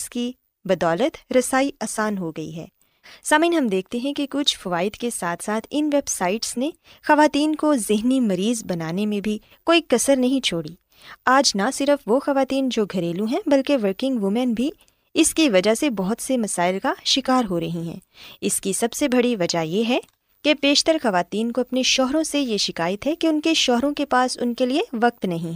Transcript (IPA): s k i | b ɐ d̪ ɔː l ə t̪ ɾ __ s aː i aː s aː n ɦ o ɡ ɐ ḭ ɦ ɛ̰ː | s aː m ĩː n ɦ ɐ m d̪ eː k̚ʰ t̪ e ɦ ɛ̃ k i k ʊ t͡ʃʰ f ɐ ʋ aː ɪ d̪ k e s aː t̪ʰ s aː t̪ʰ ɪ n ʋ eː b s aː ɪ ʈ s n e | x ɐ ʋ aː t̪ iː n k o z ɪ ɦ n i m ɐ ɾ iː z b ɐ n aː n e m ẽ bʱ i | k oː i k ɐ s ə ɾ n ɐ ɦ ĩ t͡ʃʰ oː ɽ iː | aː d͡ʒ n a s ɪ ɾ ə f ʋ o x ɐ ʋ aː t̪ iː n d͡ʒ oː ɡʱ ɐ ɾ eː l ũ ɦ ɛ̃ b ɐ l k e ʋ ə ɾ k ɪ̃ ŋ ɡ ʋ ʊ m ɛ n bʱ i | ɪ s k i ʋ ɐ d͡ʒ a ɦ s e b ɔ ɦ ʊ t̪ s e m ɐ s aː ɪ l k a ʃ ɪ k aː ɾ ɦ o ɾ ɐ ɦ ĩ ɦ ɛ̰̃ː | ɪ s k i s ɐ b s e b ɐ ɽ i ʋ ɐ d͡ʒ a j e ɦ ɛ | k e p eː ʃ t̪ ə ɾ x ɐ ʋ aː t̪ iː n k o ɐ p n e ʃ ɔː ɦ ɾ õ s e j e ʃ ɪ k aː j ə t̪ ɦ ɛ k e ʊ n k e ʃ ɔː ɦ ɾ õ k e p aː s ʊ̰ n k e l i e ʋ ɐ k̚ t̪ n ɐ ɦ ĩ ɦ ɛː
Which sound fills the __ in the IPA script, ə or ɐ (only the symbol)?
ɐ